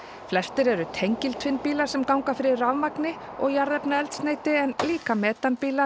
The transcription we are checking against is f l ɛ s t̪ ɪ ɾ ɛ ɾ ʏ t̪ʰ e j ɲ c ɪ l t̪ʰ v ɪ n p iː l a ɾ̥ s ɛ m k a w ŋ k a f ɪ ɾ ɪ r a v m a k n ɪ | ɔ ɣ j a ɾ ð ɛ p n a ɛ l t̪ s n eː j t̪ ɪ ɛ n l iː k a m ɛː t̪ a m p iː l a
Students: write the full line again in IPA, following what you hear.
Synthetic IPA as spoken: f l ɛ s t̪ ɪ ɾ ɛ ɾ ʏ t̪ʰ e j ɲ c ɪ l t̪ʰ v ɪ n p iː l a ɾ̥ s ɛ m k a w ŋ k a f ɪ ɾ ɪ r a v m a k n ɪ | ɔ ɣ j a ɾ ð ɛ p n a ɛ l t̪ s n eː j t̪ ɪ ɛ n l iː k a m ɛː t̪ a n p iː l a